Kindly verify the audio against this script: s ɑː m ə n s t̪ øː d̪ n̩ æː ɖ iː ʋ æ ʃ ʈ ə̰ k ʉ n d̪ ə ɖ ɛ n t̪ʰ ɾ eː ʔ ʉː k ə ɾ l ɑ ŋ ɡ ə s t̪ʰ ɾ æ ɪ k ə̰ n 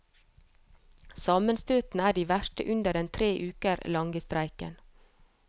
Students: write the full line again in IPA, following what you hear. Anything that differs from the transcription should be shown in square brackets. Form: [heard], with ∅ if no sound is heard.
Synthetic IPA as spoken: s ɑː m ə n s t̪ øː [t̪] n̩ æː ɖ iː ʋ æ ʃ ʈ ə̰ [ʔ] ʉ n d̪ ə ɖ ɛ n t̪ʰ ɾ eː ʔ ʉː k ə ɾ l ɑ ŋ ɡ ə s [t̪] ɾ æ ɪ k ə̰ n